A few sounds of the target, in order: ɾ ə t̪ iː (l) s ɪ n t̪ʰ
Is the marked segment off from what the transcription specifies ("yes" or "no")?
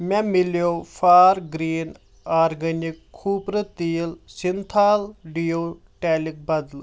no